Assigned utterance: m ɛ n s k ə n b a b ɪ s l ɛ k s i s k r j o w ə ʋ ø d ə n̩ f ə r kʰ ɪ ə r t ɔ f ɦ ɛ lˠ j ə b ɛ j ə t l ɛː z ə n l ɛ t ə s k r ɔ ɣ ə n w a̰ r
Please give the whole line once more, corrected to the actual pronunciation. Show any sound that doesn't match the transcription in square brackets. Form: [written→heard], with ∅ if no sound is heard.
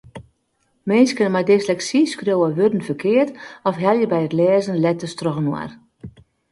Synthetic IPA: m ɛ n s k ə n [b→m] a [b→d] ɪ s l ɛ k s i s k r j o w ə ʋ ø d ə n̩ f ə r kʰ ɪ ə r t ɔ f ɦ ɛ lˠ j ə b ɛ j ə t l ɛː z ə n l ɛ t ə s [k→t] r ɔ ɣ ə n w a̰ r